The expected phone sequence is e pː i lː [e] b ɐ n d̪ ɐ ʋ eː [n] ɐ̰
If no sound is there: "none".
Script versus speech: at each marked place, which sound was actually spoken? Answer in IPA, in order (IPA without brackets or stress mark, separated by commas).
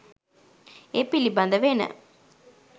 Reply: i, n